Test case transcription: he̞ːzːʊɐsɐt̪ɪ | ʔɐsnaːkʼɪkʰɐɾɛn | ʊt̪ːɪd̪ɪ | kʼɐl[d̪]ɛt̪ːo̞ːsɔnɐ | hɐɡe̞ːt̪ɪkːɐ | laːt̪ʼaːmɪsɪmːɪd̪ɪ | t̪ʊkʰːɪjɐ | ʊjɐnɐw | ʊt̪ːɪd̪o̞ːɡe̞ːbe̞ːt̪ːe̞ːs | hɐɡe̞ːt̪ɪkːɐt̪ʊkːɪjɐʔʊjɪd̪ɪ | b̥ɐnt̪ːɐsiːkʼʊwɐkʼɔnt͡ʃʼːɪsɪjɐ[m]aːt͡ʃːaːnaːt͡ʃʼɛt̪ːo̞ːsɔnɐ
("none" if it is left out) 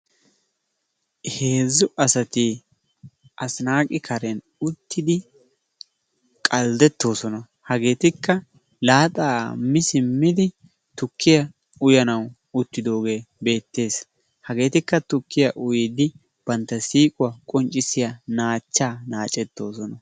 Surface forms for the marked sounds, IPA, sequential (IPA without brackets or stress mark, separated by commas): d̪, n